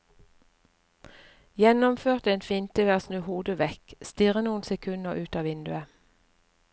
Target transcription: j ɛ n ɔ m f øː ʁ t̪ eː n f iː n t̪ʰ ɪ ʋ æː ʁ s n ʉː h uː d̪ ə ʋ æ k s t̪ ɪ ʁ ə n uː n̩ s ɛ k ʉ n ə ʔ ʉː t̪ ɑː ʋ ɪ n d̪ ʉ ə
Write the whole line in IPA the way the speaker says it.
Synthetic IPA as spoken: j ɛ n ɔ m f øː ʁ t̪ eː n f iː n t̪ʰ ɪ ʋ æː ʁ s n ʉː h uː d̪ ə ʋ ɛ k s t̪ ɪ ʁ ə n uː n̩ s ɛ kʰ ʉ n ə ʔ ʉː t̪ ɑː ʋ ɪ n d̪ ʉ ə

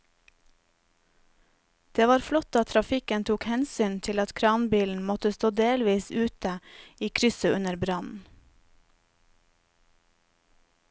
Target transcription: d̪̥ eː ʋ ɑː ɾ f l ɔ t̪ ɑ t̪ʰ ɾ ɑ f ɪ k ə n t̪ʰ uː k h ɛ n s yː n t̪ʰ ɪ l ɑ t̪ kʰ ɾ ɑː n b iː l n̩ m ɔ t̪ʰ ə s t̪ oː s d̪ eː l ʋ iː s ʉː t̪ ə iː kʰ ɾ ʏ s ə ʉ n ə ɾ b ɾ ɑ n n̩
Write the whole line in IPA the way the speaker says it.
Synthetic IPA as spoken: d̪̥ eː ʋ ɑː ɾ f l ɔ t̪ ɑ t̪ʰ ɾ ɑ f ɪ k ə n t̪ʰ uː k h ɛ n s yː n t̪ʰ ɪ l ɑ t̪ kʰ ɾ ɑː n b iː l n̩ m ɔ t̪ ə s t̪ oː d̪ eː l ʋ iː s ʉː t̪ ə iː kʰ ɾ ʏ s ə ʉ n ə ɾ b ɾ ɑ n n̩

